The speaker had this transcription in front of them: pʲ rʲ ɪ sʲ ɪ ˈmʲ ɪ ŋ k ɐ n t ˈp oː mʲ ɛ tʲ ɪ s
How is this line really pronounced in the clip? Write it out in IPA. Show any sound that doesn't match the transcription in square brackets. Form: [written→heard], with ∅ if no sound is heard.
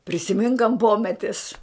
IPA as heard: pʲ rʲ ɪ sʲ ɪ ˈmʲ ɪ ŋ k ɐ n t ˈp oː mʲ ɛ tʲ ɪ s